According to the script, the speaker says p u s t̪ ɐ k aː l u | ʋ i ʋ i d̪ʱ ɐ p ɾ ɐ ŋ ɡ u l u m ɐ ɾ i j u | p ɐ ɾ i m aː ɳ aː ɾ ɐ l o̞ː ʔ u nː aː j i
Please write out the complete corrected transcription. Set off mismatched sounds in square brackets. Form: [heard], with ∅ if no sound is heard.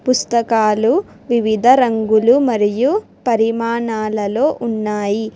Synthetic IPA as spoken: p u s t̪ ɐ k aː l u | ʋ i ʋ i d̪ʱ ɐ [∅] ɾ ɐ ŋ ɡ u l u m ɐ ɾ i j u | p ɐ ɾ i m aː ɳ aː [l] ɐ l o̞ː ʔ u nː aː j i